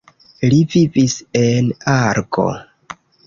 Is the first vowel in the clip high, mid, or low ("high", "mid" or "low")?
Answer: high